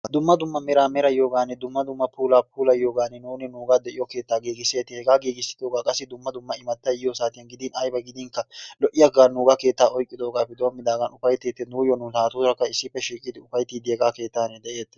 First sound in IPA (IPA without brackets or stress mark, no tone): d̪